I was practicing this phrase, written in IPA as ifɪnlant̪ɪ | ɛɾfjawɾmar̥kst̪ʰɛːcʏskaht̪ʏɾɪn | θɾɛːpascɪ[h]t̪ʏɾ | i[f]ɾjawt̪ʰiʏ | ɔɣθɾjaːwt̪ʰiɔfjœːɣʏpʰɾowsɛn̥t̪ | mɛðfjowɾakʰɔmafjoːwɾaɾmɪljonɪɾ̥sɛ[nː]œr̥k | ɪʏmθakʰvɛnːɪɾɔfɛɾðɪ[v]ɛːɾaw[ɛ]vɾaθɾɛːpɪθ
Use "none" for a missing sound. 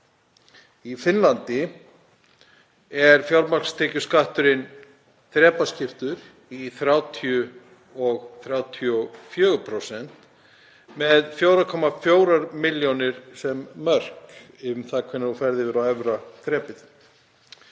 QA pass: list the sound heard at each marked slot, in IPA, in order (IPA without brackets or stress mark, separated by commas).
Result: f, θ, mː, v, ɛ